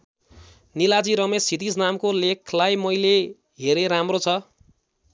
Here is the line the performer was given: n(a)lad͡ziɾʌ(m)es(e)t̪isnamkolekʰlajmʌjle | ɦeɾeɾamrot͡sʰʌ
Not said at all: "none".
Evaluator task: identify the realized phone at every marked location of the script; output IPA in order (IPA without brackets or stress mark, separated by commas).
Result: i, m, i